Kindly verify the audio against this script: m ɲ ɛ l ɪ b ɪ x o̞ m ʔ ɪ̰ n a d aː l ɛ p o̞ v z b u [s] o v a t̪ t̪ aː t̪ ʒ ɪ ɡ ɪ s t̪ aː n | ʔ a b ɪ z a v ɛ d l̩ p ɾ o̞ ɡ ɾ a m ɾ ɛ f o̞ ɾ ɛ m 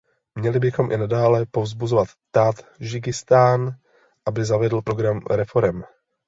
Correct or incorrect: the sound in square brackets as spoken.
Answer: incorrect: z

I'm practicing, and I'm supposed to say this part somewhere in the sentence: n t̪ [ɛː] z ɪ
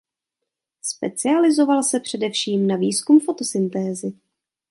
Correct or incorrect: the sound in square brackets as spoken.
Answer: correct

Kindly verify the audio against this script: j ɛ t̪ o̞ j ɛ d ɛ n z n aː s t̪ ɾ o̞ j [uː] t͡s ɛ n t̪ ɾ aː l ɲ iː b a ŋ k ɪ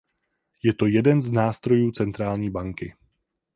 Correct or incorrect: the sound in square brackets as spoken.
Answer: correct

